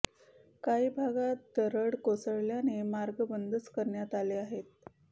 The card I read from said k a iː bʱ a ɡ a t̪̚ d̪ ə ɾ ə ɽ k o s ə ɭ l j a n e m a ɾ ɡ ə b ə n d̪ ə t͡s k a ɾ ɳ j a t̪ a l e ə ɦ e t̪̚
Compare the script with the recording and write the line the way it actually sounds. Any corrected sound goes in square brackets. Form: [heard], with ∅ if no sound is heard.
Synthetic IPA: k a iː bʱ a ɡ a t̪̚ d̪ ə ɾ ə ɽ k o s ə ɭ l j a n e m a ɾ ɡ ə b ə n d̪ ə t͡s k [ə] ɾ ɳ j a t̪ a l e [a] ɦ e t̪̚